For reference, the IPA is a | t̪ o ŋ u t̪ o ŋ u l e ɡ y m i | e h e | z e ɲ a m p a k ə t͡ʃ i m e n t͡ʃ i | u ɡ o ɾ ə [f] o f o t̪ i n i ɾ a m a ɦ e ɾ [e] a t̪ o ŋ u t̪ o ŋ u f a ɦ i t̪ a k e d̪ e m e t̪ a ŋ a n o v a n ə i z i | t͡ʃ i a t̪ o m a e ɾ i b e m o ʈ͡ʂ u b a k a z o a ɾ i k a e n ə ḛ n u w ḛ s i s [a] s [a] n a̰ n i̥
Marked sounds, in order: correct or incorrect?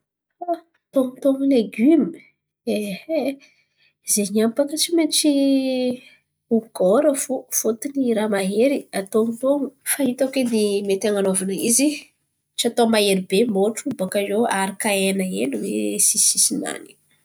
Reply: correct, incorrect: i, incorrect: i, incorrect: i

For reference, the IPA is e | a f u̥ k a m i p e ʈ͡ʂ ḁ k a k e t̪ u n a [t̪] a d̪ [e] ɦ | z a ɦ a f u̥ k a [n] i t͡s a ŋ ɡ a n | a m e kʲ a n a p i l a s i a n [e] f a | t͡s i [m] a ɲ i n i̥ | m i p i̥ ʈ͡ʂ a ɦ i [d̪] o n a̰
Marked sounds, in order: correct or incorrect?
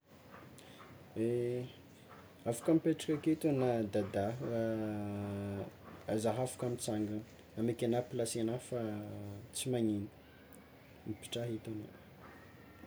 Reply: incorrect: d̪, incorrect: a, incorrect: m, incorrect: a, correct, incorrect: t̪

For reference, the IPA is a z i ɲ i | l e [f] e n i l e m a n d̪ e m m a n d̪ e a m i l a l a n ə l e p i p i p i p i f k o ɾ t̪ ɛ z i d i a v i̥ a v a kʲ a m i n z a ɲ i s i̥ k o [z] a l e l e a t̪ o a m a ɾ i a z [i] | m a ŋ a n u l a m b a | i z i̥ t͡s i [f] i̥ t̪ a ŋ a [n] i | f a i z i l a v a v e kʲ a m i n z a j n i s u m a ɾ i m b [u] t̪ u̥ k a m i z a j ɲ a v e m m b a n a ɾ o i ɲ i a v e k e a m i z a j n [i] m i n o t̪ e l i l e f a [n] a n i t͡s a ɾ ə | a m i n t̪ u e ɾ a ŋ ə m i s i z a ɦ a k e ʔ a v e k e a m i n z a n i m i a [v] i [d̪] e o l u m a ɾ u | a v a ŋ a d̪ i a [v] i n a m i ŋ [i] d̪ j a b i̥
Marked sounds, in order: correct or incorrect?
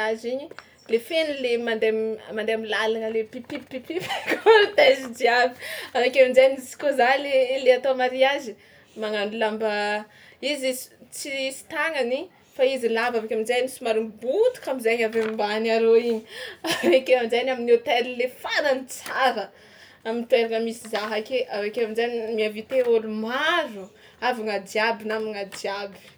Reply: correct, correct, correct, incorrect: s, correct, correct, incorrect: a, correct, correct, incorrect: t̪, incorrect: b, incorrect: a

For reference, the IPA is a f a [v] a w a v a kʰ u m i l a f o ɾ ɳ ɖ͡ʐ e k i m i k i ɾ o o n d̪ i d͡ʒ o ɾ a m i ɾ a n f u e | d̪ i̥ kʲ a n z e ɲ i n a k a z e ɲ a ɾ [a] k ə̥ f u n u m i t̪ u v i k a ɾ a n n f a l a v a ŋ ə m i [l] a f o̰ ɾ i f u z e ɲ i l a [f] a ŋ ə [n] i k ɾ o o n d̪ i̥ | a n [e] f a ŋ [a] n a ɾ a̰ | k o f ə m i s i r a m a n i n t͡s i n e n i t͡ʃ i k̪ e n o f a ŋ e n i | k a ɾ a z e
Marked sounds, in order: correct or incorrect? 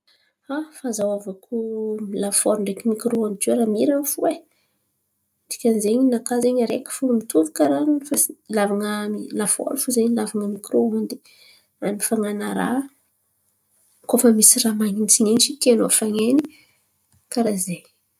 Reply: incorrect: z, incorrect: e, correct, incorrect: v, incorrect: m, incorrect: i, correct

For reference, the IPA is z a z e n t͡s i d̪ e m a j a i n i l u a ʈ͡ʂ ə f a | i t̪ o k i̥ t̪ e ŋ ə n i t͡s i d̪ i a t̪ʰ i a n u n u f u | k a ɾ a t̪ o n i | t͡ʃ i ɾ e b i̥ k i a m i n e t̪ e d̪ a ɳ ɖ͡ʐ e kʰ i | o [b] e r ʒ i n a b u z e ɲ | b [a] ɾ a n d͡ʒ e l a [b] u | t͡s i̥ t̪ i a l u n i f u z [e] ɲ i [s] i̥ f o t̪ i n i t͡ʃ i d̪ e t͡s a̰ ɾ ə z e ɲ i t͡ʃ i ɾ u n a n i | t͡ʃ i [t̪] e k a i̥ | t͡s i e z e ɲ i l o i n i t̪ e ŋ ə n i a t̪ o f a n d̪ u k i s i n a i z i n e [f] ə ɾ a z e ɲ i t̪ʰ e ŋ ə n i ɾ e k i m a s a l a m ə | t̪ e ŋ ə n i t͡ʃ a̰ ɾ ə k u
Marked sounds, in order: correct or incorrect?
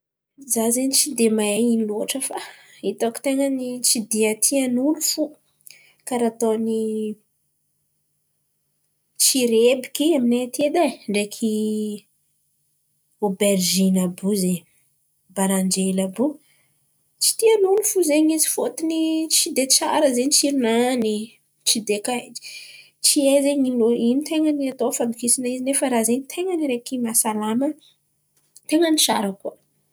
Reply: correct, correct, correct, correct, incorrect: z, incorrect: d̪, correct

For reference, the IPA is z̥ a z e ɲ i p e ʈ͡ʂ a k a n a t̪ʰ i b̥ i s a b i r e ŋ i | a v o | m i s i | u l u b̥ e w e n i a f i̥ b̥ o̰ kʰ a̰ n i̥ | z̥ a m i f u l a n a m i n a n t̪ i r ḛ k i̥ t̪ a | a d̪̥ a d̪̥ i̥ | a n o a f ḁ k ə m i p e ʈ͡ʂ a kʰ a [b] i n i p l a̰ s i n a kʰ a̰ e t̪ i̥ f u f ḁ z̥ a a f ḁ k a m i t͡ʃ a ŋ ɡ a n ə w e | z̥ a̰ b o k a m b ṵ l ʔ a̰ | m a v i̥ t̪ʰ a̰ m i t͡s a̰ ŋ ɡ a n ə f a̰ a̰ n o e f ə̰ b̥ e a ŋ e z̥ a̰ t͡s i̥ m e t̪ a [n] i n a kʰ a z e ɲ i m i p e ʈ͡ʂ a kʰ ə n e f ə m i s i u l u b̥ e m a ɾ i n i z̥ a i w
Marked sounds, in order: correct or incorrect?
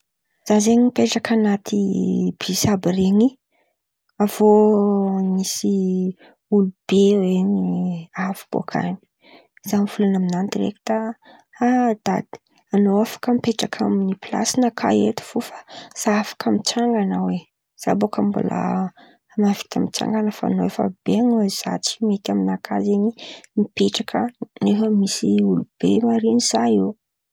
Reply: incorrect: m, incorrect: m

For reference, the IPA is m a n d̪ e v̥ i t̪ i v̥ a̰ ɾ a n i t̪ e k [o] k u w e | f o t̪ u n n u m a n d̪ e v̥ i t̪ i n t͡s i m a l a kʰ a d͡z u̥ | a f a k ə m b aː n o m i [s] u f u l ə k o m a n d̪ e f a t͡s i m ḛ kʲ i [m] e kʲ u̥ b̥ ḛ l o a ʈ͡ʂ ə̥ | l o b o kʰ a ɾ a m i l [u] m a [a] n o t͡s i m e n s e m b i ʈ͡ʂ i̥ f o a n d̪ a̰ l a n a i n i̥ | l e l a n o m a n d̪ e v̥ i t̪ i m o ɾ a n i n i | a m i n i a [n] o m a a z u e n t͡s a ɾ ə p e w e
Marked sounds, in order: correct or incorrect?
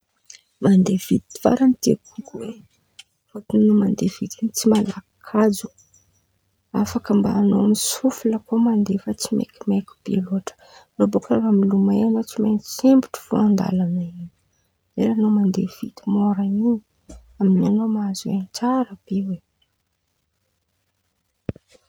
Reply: incorrect: u, correct, correct, correct, incorrect: e, correct

